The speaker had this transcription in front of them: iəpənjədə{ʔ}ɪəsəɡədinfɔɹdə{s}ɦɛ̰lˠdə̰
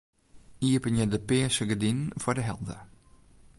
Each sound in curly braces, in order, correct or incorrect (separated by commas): incorrect, incorrect